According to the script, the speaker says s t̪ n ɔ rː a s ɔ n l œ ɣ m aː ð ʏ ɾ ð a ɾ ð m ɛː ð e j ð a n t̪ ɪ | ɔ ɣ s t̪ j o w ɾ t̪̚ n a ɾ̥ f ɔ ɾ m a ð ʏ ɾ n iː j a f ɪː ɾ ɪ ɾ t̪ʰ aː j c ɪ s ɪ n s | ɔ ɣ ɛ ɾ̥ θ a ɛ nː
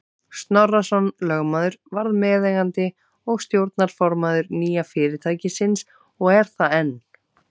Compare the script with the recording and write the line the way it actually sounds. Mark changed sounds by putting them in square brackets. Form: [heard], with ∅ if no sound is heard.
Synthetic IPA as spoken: s t̪ n ɔ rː a s ɔ n l œ ɣ m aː ð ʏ ɾ [v] a ɾ ð m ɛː ð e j [ɣ] a n t̪ ɪ | ɔ ɣ s t̪ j o w ɾ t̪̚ n a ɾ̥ f ɔ ɾ m a ð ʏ ɾ n iː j a f ɪː ɾ ɪ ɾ t̪ʰ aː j c ɪ s ɪ n s | ɔ ɣ ɛ ɾ̥ θ a ɛ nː